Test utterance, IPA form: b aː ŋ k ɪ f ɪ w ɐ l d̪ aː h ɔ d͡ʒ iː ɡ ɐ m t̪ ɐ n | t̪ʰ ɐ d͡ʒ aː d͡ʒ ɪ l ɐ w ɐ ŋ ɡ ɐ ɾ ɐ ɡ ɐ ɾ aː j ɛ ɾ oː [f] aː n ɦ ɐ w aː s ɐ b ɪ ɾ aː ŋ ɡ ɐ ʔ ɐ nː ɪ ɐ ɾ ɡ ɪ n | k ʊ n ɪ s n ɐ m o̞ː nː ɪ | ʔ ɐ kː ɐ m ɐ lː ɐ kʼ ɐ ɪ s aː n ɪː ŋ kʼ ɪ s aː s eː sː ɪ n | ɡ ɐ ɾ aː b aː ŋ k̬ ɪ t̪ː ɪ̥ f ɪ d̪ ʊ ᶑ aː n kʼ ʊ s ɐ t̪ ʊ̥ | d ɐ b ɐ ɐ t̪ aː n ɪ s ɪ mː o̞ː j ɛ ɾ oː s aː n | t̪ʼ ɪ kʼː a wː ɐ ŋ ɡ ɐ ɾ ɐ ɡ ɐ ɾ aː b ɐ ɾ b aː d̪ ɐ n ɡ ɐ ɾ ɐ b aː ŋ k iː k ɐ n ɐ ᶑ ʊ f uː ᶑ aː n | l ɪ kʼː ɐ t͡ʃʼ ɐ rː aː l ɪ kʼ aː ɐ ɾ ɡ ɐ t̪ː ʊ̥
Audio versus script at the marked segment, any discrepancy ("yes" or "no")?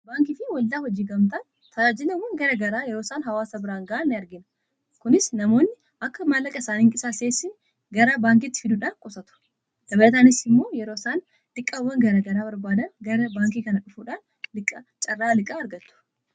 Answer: yes